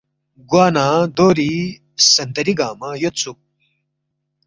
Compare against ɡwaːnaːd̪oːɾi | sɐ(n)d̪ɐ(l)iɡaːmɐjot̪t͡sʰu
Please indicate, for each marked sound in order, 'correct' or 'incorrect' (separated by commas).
correct, incorrect